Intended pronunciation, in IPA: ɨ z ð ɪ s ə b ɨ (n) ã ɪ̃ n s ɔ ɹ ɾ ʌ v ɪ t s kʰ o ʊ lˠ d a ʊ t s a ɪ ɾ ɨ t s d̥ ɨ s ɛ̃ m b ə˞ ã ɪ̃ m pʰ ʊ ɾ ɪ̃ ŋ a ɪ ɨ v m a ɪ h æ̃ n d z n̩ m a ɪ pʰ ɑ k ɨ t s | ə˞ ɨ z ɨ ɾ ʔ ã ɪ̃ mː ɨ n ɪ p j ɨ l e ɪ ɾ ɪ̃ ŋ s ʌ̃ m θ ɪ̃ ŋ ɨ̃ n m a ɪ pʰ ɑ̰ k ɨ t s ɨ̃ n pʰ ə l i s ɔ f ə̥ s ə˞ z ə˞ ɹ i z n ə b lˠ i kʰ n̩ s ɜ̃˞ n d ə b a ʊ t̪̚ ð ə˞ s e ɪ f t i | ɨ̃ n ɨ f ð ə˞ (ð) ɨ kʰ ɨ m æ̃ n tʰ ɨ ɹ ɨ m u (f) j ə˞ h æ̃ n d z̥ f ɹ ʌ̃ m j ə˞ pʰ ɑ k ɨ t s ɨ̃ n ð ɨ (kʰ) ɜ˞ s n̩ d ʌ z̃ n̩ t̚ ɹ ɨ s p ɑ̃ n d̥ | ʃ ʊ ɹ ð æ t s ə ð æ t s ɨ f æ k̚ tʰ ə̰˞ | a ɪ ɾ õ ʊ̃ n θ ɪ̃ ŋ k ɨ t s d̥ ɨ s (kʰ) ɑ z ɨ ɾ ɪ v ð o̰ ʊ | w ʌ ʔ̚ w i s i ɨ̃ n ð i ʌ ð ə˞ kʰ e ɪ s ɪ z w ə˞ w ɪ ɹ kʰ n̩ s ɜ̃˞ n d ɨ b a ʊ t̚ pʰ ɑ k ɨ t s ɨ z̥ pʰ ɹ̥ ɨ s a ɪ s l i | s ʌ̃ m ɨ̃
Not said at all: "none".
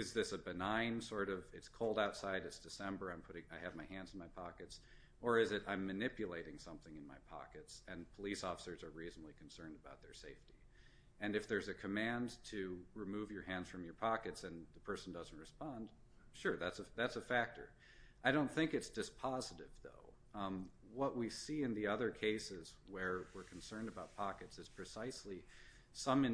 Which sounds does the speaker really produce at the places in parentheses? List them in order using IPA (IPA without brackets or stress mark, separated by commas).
n, z, v, pʰ, pʰ